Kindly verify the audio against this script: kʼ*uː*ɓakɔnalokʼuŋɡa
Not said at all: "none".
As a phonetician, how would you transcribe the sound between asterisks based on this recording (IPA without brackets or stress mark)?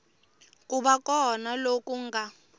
u